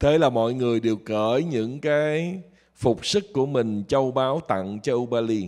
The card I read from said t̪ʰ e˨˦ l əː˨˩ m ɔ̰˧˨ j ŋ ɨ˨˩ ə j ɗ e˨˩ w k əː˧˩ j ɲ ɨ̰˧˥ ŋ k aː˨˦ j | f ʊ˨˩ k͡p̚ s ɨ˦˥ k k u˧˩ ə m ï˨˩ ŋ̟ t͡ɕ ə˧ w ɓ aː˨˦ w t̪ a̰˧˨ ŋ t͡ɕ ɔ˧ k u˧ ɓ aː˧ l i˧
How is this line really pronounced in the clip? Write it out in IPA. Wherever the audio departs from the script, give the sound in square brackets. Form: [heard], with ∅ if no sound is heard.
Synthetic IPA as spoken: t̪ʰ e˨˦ l [aː˨˩] m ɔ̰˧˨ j ŋ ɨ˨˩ ə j ɗ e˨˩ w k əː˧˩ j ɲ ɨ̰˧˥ ŋ k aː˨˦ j | f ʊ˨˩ k͡p̚ s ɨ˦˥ k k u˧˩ ə m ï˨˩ ŋ̟ t͡ɕ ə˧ w ɓ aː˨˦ w t̪ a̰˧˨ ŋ t͡ɕ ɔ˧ [ʔ] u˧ ɓ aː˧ l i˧